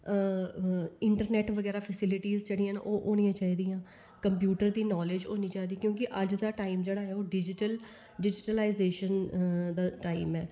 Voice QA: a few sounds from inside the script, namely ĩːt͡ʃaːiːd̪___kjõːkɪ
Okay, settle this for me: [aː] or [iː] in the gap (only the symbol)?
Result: iː